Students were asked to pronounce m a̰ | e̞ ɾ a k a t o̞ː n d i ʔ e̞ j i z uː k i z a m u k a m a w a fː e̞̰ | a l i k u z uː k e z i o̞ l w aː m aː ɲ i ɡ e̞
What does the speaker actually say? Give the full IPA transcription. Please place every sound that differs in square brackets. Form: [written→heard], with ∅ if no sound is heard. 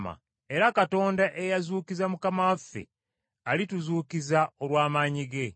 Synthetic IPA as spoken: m a̰ | e̞ ɾ a k a t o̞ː n d [i→a] ʔ e̞ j [i→a] z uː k i z a m u k a m a w a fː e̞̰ | a l i [k→t] u z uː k [e→i] z [i→a] o̞ l w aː m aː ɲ i ɡ e̞

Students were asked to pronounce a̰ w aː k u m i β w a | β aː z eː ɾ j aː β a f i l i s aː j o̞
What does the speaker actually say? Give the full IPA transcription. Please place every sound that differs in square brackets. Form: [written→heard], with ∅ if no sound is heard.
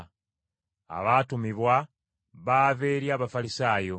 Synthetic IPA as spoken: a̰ [w→β] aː [k→t] u m i β w a | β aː [z→v] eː ɾ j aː β a f [i→a] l i s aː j o̞

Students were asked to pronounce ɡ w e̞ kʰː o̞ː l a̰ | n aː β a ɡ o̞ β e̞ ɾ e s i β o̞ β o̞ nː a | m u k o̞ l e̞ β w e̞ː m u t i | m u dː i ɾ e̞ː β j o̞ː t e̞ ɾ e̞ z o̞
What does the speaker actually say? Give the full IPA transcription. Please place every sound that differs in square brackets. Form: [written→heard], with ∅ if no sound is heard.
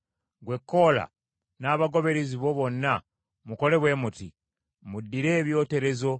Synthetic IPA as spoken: ɡ w e̞ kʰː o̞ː l a̰ | n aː β a ɡ o̞ β e̞ ɾ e [s→z] i β o̞ β o̞ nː a | m u k o̞ l e̞ β w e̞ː m u t i | m u dː i ɾ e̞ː β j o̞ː t e̞ ɾ e̞ z o̞

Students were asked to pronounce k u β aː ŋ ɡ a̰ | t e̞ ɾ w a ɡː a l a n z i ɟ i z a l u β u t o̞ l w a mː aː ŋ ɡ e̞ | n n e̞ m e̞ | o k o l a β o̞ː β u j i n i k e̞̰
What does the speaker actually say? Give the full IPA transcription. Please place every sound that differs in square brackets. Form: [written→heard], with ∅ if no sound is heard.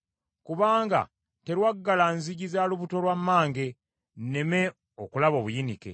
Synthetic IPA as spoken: k u β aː ŋ ɡ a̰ | t e̞ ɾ w a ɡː a l a n z i ɟ i z a l u β u t o̞ l w a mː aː ŋ ɡ e̞ | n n e̞ m e̞ | o k [o→u] l a β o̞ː β u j i n i k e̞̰

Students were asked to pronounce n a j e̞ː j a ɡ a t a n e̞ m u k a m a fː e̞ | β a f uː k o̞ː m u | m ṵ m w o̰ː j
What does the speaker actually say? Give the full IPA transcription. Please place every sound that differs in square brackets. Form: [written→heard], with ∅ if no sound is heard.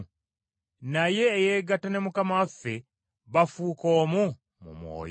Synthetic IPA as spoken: n a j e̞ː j [a→e] ɡ a t a n e̞ m u k a m a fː e̞ | β a f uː k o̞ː m u | m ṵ m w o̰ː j

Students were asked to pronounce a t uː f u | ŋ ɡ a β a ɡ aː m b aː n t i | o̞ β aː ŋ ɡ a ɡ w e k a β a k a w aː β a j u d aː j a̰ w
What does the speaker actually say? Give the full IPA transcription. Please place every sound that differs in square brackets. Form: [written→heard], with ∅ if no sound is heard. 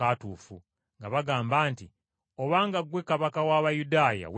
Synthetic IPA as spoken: a t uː f u | ŋ ɡ a β a ɡ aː m b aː n t i | o̞ β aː ŋ ɡ a ɡ w e k a β a k a w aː β a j u d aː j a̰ w

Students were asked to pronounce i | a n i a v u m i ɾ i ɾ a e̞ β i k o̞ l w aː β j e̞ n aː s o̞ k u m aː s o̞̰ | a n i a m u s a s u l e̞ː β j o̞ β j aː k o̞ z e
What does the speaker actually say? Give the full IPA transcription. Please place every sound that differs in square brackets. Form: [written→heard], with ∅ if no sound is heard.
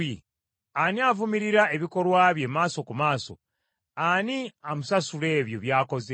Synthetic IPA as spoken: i | a n i a v u m i ɾ i ɾ a e̞ β i k o̞ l w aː β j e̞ [n→m] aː s o̞ k u m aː s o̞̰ | a n i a m u s a s u l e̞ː β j o̞ β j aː k o̞ z e

